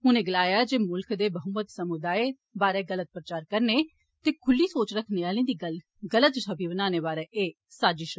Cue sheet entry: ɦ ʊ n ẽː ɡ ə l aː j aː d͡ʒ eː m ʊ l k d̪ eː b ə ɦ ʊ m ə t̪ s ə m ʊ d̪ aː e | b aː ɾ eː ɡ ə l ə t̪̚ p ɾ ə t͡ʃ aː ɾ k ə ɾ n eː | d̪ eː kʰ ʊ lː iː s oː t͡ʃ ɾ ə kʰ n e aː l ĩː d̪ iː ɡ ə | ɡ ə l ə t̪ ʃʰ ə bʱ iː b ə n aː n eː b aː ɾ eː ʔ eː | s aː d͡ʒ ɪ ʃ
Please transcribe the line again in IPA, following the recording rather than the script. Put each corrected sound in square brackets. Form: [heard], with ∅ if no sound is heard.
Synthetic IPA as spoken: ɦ ʊ n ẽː ɡ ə l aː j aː d͡ʒ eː m ʊ l k d̪ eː b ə ɦ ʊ m ə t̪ s ə m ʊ d̪ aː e | b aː ɾ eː ɡ ə l ə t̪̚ p ɾ ə t͡ʃ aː ɾ k ə ɾ n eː | [t̪] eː kʰ ʊ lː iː s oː t͡ʃ ɾ ə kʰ n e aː l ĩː d̪ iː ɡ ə | ɡ ə l ə t̪ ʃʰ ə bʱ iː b ə n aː n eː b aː ɾ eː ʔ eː | s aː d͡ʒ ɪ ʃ